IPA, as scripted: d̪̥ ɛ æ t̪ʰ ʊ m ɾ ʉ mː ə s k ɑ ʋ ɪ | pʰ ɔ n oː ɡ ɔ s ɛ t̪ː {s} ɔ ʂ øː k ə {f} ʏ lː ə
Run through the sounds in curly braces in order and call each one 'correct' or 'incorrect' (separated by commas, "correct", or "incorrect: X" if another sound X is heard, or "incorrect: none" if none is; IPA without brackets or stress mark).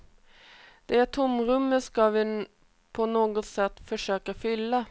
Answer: incorrect: f, correct